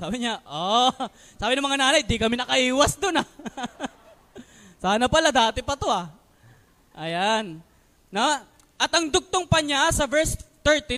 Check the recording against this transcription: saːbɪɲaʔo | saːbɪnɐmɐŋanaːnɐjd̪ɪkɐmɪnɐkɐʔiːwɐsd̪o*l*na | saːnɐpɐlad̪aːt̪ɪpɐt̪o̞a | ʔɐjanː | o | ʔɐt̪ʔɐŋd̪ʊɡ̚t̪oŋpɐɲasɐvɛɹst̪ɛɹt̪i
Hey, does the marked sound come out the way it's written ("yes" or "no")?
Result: no